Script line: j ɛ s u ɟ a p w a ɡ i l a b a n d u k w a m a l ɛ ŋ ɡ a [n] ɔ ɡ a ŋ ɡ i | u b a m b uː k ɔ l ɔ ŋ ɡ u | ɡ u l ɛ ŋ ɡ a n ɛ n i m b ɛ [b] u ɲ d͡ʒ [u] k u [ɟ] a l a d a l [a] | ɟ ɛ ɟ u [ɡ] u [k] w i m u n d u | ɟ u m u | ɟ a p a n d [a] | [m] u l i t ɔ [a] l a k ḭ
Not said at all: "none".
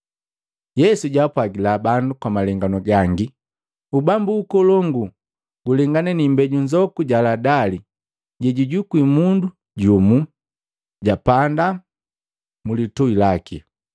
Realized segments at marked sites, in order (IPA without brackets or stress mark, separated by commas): n, ɟ, ɔ, ɟ, i, ɟ, k, a, m, i